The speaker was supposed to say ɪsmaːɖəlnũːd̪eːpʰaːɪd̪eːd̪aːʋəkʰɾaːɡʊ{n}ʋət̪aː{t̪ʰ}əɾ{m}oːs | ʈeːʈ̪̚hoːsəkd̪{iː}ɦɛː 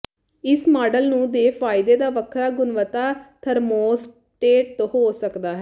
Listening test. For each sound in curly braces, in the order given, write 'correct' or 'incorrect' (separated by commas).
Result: correct, correct, correct, incorrect